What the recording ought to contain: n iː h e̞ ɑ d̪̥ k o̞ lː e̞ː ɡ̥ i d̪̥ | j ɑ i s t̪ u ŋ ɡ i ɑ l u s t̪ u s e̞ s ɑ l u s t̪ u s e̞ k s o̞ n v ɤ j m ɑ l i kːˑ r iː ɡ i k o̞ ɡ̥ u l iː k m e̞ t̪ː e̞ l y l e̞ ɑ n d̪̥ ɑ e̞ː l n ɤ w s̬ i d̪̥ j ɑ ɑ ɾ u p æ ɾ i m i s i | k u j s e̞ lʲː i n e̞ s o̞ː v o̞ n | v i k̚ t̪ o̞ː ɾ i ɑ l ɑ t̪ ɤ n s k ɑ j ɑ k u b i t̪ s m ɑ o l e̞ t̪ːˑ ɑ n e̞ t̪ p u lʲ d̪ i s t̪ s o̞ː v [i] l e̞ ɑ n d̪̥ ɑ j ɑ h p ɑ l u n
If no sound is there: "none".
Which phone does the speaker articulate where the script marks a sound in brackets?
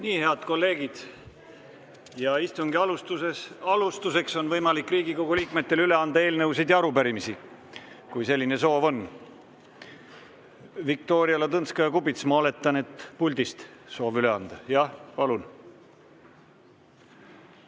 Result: y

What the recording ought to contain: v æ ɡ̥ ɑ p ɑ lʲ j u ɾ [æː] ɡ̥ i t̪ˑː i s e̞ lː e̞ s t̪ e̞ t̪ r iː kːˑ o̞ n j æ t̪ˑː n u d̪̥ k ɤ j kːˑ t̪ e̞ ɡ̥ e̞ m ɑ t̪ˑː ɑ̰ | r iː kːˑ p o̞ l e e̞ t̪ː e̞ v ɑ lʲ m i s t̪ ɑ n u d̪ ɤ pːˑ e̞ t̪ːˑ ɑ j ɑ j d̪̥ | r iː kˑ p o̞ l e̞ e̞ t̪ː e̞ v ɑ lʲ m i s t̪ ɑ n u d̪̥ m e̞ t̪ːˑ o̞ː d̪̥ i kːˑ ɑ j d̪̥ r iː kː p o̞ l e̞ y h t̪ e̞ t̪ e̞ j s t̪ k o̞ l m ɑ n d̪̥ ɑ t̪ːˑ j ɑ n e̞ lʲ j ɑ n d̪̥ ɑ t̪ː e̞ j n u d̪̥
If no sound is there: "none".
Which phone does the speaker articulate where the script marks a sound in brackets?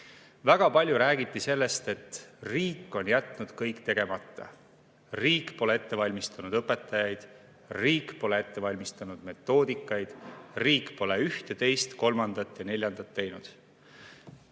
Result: æː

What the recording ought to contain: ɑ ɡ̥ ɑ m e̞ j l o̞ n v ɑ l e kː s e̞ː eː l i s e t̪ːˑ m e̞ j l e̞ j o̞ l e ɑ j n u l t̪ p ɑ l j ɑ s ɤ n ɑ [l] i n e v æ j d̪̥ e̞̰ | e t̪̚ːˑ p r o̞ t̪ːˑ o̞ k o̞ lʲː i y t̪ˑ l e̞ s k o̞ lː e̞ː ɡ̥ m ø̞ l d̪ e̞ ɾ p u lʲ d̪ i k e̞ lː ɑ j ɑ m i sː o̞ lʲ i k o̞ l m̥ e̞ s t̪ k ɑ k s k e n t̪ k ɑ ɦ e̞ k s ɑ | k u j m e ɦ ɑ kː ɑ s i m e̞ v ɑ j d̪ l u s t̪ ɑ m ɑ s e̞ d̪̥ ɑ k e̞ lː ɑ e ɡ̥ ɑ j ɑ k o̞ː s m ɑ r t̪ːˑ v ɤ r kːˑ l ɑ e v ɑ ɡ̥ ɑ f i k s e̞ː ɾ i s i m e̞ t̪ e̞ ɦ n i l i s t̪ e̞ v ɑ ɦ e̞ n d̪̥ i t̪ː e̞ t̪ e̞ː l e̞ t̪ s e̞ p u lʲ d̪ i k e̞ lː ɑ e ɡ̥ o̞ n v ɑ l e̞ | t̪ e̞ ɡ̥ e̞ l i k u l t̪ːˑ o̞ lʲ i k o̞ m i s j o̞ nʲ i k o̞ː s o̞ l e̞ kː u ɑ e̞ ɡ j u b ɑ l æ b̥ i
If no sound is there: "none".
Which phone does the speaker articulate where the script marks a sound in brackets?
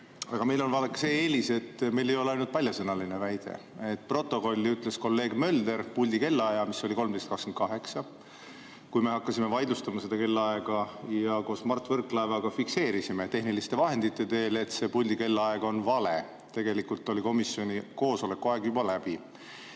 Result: l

